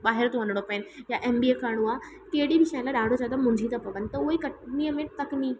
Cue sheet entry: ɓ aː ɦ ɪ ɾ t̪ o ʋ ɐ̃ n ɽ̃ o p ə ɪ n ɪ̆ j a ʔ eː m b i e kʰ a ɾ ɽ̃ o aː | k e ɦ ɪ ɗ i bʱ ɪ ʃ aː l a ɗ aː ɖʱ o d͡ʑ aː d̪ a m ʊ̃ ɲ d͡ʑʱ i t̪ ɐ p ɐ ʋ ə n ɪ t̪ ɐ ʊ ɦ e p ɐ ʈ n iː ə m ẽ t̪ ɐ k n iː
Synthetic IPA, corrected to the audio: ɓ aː ɦ ɪ ɾ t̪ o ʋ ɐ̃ n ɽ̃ o p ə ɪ n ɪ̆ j a ʔ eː m b i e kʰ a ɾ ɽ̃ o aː | k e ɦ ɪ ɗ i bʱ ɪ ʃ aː l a ɗ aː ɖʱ o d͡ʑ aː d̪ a m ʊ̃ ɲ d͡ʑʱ i t̪ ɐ p ɐ ʋ ə n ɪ t̪ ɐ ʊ ɦ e k ɐ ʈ n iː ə m ẽ t̪ ɐ k n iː